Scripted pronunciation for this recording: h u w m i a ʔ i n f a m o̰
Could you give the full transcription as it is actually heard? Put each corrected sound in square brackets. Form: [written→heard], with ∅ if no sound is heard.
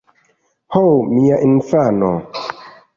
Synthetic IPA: h [u→o] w m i a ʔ i n f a [m→n] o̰